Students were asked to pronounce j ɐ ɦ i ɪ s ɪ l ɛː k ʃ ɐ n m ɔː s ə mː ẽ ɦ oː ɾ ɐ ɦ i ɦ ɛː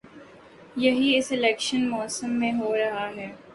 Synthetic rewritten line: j ɐ ɦ i ɪ s ɪ l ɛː k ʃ ə n m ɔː s ə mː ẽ ɦ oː ɾ ɐ ɦ a ɦ ɛː